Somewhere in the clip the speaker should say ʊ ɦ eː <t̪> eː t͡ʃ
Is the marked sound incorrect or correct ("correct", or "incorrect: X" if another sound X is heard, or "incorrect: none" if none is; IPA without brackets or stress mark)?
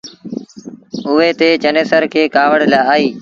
correct